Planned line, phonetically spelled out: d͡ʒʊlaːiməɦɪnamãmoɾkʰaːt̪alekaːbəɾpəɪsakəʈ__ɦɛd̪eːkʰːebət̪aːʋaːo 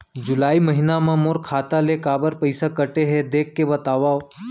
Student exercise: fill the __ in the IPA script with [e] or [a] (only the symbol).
e